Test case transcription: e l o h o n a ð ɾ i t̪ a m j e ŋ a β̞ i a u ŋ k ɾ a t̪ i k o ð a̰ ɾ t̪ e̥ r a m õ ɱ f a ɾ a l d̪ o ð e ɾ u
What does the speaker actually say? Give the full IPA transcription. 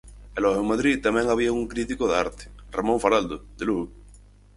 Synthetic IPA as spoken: e l o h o m a ð ɾ i t̪ a m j e ŋ a β̞ i a u ŋ k ɾ i t̪ i k o ð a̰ ɾ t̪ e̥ r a m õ ɱ f a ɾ a l d̪ o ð e l u

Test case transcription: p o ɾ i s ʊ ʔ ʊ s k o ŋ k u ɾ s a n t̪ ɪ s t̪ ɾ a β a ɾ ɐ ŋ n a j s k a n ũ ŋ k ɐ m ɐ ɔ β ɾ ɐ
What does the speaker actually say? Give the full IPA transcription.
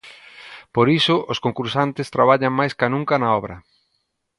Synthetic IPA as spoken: p o ɾ i s ʊ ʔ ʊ s k o ŋ k u ɾ s a n t̪ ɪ s t̪ ɾ a β a ʎ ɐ ŋ m a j s k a n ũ ŋ k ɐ n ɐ ɔ β ɾ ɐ

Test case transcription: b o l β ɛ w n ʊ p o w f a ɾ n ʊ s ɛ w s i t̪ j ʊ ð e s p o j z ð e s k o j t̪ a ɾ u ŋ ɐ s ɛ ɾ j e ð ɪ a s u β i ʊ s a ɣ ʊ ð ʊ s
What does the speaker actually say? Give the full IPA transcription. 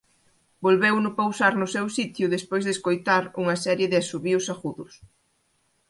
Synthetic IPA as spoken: b o l β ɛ w n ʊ p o w s a ɾ n ʊ s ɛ w s i t̪ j ʊ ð e s p o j z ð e s k o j t̪ a ɾ u ŋ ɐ s ɛ ɾ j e ð ɪ a s u β i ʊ s a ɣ u ð ʊ s

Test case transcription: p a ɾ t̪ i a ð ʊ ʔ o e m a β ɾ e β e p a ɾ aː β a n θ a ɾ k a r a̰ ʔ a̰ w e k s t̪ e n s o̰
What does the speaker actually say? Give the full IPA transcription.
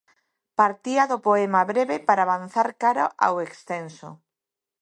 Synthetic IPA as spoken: p a ɾ t̪ i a ð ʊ p o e m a β ɾ e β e p a ɾ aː β a n θ a ɾ k a ɾ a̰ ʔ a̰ w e k s t̪ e n s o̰

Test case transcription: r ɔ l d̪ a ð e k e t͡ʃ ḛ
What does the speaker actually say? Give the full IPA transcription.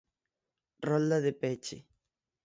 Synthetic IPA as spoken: r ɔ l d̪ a ð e p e t͡ʃ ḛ

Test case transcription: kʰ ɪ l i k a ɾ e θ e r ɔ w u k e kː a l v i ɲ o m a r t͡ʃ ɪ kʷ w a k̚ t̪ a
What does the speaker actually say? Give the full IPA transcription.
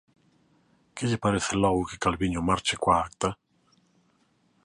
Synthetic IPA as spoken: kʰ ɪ ʎ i p a ɾ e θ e l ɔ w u k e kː a l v i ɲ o m a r t͡ʃ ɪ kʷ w a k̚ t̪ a

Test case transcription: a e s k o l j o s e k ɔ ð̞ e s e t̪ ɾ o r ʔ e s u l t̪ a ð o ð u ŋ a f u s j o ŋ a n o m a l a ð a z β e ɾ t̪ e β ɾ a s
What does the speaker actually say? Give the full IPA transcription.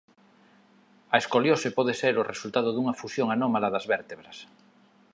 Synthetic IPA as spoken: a e s k o l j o s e p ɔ ð̞ e s e ɾ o r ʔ e s u l t̪ a ð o ð u ŋ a f u s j o ŋ a n o m a l a ð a z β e ɾ t̪ e β ɾ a s

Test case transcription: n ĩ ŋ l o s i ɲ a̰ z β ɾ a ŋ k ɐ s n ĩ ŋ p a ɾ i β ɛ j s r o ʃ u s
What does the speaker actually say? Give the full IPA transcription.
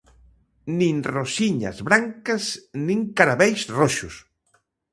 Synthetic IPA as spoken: n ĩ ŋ r o s i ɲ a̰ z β ɾ a ŋ k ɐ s n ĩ ŋ k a ɾ a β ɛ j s r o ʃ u s

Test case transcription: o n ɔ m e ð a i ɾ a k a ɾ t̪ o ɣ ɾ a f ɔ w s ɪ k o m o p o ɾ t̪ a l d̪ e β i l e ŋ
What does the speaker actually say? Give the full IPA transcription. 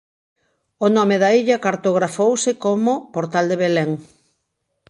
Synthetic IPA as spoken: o n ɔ m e ð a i ʎ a k a ɾ t̪ o ɣ ɾ a f o w s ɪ k o m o p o ɾ t̪ a l d̪ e β e l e ŋ

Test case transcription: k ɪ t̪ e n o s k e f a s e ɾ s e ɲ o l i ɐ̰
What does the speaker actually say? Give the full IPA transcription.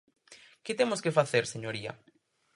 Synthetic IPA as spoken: k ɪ t̪ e m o s k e f a θ e ɾ s e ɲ o ɾ i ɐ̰

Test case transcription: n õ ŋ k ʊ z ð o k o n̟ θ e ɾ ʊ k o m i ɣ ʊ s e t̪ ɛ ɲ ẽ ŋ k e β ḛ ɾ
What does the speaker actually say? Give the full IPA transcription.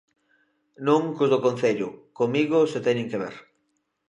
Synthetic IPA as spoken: n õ ŋ k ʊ z ð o k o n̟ θ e ʎ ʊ k o m i ɣ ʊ s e t̪ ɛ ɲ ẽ ŋ k e β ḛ ɾ

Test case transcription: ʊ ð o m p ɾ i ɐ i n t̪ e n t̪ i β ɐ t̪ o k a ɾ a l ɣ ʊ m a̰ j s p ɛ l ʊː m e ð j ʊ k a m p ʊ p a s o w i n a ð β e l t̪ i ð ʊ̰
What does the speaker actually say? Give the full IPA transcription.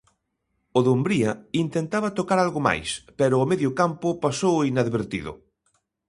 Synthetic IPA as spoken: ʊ ð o m b ɾ i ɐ i n t̪ e n t̪ a β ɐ t̪ o k a ɾ a l ɣ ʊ m a̰ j s p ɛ ɾ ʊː m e ð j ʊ k a m p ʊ p a s o w i n a ð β e ɾ t̪ i ð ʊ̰

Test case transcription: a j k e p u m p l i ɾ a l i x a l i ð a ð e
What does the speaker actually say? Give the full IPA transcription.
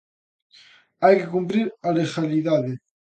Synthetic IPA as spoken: a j k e k u m p ɾ i ɾ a l e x a l i ð a ð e

